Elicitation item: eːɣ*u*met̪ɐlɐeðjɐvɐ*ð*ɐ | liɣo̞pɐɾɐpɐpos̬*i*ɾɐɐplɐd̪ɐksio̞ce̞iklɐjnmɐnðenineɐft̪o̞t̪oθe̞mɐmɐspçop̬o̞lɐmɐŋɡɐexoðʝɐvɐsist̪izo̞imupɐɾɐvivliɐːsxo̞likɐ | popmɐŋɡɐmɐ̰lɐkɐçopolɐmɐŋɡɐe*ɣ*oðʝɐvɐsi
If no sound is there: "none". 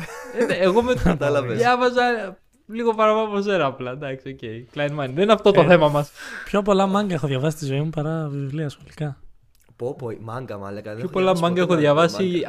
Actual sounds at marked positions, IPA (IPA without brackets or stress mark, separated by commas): o, z, e, x